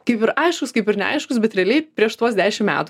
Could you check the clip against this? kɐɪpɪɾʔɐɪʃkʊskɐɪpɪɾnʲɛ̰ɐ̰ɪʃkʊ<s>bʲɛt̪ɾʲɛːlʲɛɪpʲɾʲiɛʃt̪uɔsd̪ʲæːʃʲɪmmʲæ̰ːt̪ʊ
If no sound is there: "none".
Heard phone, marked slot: s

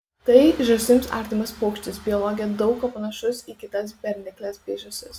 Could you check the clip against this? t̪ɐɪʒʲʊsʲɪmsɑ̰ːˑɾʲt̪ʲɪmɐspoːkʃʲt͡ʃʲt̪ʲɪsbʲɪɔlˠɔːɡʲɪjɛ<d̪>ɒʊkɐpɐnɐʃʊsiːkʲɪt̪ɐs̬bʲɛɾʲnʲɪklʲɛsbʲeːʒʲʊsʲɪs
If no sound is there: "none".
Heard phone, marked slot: d̪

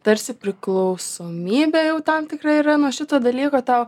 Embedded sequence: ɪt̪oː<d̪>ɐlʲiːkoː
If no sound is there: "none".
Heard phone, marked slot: d̪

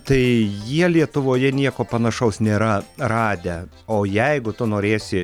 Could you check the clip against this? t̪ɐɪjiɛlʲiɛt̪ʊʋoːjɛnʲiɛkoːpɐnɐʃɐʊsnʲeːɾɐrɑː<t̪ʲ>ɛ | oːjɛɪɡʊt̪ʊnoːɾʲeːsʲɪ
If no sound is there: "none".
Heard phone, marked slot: d̪ʲ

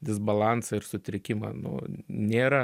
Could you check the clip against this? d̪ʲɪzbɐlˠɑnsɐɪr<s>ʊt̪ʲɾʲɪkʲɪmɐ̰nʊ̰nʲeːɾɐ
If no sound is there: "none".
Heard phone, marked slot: s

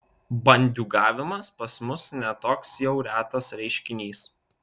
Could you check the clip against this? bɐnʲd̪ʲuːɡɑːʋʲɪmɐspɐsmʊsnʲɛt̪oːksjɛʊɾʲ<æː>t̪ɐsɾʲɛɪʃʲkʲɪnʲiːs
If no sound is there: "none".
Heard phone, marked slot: æː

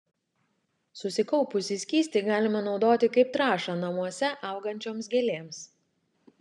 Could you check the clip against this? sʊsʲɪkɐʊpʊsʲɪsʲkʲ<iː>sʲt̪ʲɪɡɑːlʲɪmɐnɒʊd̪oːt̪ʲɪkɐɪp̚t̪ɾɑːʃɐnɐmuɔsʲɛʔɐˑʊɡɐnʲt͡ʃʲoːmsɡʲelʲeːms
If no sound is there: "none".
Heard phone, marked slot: iː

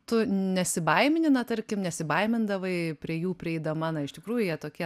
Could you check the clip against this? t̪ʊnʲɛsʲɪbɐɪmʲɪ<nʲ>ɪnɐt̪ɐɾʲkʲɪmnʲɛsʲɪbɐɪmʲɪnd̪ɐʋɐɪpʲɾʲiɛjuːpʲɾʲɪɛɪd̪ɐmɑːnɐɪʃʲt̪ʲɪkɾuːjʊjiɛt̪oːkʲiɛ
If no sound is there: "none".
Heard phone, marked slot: nʲ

